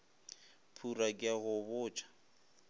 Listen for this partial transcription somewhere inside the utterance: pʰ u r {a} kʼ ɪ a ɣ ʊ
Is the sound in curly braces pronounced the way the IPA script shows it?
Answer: yes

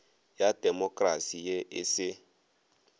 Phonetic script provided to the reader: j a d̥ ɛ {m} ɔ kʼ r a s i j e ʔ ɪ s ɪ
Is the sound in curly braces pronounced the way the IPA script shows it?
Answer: yes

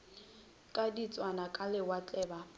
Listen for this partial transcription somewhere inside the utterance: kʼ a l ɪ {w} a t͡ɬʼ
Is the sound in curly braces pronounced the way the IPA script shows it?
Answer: yes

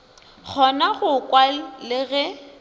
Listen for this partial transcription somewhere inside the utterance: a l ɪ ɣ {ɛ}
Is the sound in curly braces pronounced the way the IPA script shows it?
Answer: yes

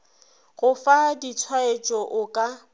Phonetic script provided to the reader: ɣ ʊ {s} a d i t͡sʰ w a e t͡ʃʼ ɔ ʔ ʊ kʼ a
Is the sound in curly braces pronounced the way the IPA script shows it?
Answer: no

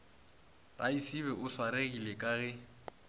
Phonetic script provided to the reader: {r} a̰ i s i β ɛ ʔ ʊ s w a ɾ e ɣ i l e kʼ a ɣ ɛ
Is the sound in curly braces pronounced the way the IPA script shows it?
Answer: yes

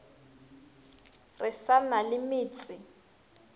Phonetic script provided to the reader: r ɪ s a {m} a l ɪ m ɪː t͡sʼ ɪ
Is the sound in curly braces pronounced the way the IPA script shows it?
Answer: no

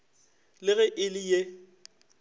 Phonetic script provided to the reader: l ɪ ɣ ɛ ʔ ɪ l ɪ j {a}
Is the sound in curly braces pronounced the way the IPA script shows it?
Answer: no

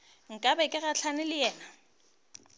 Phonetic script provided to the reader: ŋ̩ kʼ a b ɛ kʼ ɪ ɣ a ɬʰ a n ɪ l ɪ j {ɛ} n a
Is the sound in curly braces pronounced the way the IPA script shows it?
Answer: no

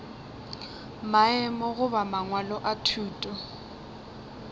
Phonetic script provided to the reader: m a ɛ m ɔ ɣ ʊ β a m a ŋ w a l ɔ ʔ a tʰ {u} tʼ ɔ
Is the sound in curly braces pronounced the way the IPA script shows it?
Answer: no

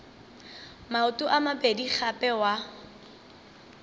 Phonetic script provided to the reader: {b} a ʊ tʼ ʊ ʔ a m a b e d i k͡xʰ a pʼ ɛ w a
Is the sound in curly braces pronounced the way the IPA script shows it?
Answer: no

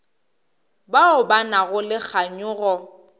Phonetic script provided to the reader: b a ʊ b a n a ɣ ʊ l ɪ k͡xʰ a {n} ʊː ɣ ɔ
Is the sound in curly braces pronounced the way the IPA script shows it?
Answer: no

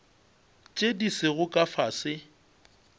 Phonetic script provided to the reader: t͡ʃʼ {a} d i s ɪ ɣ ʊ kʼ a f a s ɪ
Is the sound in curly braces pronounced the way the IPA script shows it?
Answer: no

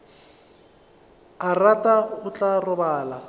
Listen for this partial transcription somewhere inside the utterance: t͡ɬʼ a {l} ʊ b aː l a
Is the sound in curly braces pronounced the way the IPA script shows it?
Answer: no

